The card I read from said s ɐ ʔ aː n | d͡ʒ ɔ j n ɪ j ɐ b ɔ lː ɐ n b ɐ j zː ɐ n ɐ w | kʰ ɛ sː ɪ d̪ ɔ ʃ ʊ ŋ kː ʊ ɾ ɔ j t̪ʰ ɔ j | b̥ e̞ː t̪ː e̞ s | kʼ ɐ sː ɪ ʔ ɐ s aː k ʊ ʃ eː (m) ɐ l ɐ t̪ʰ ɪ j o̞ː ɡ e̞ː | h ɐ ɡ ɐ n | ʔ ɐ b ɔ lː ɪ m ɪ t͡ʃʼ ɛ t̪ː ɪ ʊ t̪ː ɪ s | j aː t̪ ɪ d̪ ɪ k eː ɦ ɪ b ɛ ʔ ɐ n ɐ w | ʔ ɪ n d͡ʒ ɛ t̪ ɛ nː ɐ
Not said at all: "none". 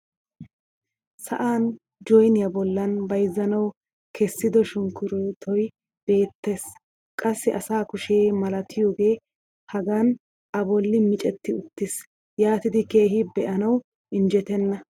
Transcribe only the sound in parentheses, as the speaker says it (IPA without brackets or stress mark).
m